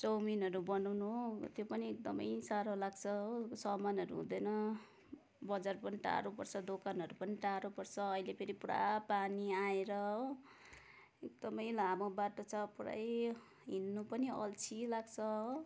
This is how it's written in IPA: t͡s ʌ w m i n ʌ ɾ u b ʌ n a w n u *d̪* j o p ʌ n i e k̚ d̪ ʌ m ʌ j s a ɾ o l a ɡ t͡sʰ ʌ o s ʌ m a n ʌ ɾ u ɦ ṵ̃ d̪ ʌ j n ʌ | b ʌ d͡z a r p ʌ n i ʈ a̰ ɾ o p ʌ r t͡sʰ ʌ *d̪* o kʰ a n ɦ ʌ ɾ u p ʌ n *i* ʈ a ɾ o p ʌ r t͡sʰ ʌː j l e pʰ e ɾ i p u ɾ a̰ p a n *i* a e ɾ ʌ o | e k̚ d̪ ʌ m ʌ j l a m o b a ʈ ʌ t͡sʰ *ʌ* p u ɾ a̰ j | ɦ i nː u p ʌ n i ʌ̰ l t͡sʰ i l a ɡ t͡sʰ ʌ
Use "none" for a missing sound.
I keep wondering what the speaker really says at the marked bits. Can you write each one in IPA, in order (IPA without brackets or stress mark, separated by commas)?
t̪, d̪, i, i, ʌ